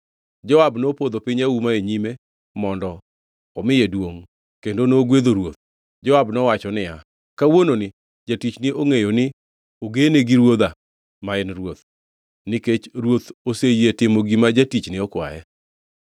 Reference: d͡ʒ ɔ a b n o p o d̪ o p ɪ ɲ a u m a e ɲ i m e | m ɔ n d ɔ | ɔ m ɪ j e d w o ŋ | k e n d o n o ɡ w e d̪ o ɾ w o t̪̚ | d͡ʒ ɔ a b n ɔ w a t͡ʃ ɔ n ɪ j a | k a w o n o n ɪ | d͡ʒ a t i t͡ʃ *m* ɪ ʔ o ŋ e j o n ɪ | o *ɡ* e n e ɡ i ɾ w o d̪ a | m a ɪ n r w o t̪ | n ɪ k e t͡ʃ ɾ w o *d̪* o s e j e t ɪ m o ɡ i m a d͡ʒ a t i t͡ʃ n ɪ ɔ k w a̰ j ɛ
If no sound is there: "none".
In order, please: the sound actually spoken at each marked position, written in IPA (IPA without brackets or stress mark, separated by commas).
n, ɡ, t̪